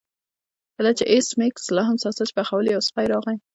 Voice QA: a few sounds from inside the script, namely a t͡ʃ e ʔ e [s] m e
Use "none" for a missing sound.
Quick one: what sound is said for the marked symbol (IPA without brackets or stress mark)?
s